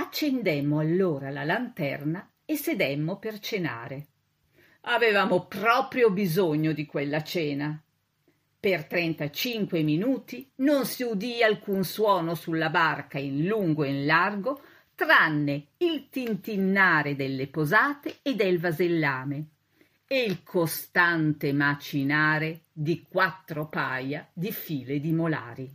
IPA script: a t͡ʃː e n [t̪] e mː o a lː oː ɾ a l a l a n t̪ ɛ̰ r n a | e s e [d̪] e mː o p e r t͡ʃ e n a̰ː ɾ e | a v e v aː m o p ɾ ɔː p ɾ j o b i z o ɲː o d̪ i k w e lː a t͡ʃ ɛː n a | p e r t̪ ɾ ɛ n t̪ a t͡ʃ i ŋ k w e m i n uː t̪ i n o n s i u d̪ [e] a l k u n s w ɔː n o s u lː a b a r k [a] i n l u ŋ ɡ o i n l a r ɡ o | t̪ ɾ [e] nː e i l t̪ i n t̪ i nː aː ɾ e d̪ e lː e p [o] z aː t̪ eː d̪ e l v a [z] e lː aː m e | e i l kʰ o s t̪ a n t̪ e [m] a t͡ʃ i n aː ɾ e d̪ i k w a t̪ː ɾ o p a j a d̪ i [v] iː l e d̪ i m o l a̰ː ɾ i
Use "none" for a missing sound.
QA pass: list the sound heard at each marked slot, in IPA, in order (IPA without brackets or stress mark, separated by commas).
d̪, d̪, i, a, a, o, z, m, f